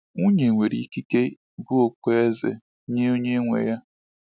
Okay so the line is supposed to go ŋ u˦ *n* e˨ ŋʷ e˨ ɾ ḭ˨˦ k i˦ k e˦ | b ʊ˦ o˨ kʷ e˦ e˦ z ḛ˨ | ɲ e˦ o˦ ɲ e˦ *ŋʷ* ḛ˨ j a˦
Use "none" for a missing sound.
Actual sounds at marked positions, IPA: ɲ, ŋʷ

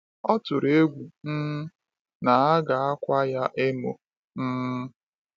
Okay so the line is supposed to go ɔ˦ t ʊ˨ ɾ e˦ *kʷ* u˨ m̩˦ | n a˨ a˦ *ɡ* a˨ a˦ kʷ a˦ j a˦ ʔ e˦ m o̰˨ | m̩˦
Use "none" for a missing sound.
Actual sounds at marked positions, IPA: ɡʷ, ɡ

